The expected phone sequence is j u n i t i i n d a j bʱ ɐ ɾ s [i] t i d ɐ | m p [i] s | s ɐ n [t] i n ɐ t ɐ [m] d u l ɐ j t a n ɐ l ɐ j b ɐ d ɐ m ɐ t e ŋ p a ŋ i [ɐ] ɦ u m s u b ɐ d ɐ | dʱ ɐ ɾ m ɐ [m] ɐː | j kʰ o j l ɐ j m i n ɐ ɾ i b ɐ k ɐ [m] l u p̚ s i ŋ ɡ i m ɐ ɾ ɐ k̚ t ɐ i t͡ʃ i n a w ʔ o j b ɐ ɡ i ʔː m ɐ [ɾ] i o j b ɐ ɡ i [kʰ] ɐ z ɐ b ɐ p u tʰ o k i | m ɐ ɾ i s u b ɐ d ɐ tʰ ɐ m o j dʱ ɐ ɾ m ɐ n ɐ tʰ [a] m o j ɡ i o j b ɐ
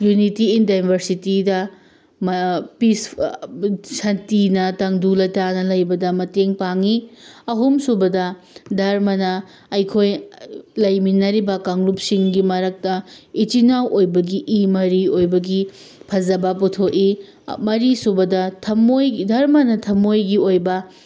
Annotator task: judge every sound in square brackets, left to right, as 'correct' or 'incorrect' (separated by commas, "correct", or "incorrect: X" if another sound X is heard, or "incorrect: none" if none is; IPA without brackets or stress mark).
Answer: correct, correct, correct, incorrect: ŋ, correct, incorrect: n, incorrect: ŋ, correct, incorrect: pʰ, incorrect: ɐ